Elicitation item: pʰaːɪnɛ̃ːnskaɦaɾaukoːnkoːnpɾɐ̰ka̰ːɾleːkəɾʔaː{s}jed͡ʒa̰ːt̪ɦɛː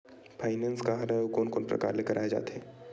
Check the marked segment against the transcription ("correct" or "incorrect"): incorrect